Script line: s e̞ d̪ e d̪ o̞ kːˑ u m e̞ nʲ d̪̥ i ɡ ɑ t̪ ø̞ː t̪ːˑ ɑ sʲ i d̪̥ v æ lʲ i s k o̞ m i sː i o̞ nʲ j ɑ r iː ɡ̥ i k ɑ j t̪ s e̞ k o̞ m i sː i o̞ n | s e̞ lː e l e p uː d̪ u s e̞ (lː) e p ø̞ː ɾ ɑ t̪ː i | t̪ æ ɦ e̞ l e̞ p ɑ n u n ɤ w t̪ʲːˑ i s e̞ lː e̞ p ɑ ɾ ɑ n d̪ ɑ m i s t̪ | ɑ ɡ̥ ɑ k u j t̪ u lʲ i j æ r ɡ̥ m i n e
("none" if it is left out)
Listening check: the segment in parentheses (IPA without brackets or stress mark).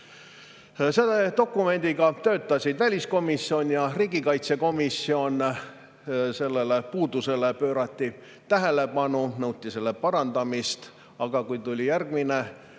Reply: l